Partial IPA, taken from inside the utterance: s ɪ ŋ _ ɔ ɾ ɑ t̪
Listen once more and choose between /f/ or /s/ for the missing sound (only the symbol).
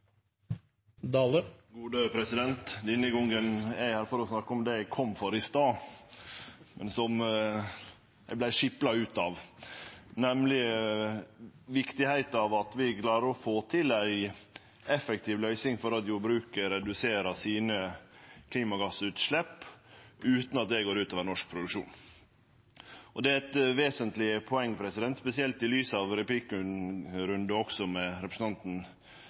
f